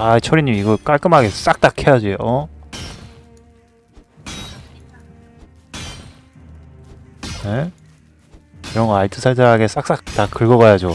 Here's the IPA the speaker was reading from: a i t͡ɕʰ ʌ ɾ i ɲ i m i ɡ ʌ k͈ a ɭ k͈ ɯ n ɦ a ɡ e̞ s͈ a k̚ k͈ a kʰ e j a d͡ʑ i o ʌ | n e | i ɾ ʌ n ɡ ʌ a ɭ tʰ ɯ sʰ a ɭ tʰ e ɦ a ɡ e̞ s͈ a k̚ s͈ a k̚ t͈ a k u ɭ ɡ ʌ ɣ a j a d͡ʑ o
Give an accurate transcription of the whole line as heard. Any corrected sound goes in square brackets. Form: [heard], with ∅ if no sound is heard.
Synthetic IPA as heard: a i t͡ɕʰ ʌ ɾ i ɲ i m i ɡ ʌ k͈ a ɭ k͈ ɯ [m] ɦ a ɡ e̞ s͈ a k̚ [t͈] a kʰ e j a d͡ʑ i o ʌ | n e | i ɾ ʌ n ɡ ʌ a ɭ tʰ ɯ sʰ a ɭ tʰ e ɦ a ɡ e̞ s͈ a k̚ s͈ a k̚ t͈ a k [ɯ] ɭ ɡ ʌ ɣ a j a d͡ʑ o